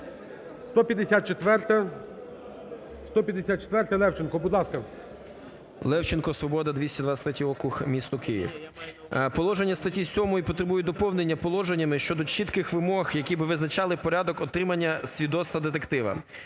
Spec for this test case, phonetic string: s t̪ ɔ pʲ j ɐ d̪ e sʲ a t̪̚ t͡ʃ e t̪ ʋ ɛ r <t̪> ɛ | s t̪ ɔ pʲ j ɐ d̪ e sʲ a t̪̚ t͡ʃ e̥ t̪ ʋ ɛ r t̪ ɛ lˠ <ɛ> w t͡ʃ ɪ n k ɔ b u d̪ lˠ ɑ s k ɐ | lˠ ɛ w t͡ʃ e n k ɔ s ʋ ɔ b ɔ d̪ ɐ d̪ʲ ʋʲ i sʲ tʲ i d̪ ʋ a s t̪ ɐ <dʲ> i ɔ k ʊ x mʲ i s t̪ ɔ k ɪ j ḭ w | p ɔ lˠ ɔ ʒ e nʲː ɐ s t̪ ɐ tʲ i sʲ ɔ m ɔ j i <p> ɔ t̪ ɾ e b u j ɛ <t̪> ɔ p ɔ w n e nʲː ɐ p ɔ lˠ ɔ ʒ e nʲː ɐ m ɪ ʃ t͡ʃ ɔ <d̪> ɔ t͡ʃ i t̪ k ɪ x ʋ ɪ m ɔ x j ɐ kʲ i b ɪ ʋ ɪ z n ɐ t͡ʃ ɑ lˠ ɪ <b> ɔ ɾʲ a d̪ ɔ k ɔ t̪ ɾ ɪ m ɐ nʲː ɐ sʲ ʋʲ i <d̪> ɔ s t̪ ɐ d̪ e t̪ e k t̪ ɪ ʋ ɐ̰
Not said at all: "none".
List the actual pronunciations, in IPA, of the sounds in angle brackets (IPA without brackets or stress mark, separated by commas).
t̪, ɛ, tʲ, p, d̪, d̪, p, d̪